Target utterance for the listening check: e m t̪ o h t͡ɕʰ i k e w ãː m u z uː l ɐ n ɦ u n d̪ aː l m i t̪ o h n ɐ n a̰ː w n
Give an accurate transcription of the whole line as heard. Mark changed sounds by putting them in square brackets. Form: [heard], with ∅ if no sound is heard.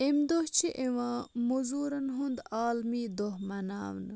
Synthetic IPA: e m [d̪] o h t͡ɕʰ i [ʔ] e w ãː m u z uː [ɾ] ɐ n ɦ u n d̪ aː l m i [d̪] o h [m] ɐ n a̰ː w n